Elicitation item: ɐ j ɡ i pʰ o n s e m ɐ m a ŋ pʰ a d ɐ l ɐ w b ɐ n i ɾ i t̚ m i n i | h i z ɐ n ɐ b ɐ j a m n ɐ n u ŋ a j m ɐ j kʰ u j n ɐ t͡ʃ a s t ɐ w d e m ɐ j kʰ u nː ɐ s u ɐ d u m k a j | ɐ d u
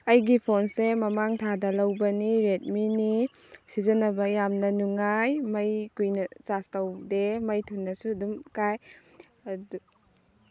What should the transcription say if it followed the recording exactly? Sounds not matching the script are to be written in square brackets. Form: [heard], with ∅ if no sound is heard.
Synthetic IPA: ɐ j ɡ i pʰ o n s e m ɐ m a ŋ [tʰ] a d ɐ l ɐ w b ɐ n i ɾ [e] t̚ m i n i | [s] i z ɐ n ɐ b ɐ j a m n ɐ n u ŋ a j m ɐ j [k] u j n ɐ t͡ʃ a s t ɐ w d e m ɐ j [tʰ] u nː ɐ s u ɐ d u m k a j | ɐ d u